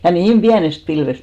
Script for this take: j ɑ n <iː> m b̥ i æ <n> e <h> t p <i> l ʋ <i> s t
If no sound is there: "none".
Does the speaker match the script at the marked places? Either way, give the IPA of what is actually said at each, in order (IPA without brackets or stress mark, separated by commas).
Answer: iː, n, s, i, e